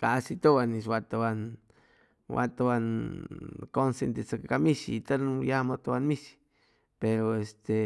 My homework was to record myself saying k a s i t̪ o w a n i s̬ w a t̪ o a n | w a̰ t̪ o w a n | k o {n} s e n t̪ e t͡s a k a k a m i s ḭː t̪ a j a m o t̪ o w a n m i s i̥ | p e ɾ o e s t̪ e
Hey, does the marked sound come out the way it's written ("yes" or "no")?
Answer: yes